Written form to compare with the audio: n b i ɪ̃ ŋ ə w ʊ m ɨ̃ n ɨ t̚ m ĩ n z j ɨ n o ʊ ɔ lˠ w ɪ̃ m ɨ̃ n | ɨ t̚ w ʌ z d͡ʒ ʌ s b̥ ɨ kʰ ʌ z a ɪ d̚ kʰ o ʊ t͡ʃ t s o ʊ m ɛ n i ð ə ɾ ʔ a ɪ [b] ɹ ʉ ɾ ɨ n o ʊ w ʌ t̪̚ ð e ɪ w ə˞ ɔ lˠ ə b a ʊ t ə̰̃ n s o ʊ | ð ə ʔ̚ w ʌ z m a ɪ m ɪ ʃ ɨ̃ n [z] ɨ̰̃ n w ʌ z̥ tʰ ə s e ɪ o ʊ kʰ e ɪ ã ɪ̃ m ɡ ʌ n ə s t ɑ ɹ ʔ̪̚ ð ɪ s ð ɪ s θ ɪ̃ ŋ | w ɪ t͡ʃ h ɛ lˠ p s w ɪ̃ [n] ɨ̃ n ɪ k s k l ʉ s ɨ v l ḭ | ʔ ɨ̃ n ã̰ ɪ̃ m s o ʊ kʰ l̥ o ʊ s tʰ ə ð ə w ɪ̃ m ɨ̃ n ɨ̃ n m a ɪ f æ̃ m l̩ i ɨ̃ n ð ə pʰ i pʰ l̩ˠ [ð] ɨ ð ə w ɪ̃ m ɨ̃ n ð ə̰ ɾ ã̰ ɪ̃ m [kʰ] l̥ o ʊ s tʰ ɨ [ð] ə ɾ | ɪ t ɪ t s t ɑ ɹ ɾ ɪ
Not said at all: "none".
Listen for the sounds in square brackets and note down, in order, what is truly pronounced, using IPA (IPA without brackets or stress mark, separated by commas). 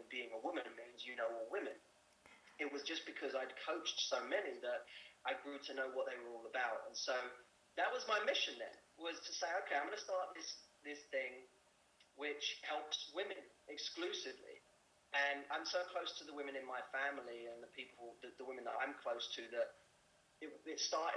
ɡ, ð, m, ð, kʰ, ð